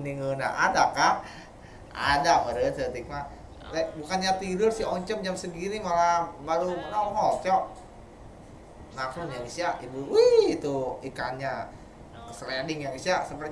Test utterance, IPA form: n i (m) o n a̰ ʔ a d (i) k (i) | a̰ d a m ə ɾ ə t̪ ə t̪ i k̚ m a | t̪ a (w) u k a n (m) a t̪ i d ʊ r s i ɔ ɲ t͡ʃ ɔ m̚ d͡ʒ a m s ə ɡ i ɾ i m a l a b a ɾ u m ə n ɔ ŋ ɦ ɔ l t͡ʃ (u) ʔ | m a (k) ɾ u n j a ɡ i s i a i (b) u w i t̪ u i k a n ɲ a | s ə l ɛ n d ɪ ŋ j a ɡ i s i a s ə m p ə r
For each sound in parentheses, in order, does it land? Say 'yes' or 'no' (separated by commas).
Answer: no, no, no, no, no, no, yes, yes